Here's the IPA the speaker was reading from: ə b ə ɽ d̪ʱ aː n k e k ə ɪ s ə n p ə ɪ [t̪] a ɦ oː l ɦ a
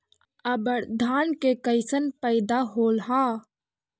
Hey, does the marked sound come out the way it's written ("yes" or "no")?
no